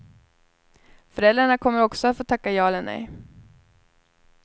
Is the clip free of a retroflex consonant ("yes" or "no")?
no